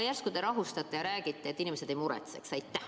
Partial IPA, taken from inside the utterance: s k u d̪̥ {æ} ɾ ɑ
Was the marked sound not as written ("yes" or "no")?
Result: yes